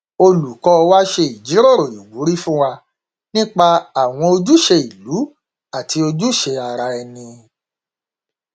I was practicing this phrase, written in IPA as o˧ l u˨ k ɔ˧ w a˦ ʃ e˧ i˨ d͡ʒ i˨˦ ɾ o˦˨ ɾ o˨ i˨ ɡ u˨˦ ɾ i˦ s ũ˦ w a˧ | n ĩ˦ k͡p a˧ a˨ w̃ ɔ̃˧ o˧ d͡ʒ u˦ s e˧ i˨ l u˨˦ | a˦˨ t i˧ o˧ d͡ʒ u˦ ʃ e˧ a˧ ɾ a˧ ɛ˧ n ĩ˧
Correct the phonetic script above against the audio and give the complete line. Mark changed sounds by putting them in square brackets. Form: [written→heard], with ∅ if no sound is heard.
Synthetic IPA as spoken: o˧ l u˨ k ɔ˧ w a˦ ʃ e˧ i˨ d͡ʒ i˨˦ ɾ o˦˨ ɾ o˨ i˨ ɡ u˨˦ ɾ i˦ [s→f] ũ˦ w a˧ | n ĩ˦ k͡p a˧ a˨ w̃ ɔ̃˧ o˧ d͡ʒ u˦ [s→ʃ] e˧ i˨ l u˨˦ | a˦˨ t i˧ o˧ d͡ʒ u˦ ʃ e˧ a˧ ɾ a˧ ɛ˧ n ĩ˧